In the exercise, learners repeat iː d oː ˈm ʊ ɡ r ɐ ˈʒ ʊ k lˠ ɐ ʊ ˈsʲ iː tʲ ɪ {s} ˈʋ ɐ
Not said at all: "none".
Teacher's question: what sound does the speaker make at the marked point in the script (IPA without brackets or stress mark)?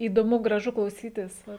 s